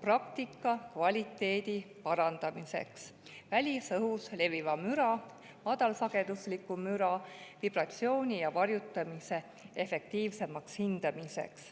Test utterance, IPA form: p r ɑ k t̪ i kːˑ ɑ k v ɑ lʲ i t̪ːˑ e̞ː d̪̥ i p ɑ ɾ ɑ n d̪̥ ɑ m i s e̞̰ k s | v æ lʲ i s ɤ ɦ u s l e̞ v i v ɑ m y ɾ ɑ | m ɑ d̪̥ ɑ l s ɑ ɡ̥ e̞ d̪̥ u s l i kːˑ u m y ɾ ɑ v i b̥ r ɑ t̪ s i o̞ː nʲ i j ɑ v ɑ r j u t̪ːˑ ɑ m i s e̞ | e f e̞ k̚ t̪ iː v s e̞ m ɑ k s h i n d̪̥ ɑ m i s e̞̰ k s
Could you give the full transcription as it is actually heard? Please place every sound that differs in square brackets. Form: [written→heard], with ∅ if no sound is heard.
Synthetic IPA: p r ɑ k t̪ i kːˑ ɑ k v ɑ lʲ i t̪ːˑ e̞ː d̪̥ i p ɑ ɾ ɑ n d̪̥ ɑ m i s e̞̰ k s | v æ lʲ i s ɤ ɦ u s l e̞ v i v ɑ m y ɾ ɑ | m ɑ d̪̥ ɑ l s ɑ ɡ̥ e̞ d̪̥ u s l i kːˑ u m y ɾ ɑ v i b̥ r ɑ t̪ s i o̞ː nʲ i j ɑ v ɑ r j u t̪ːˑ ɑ m i s e̞ | e f e̞ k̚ t̪ iː v s e̞ m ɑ k s h i n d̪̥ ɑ m i s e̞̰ k s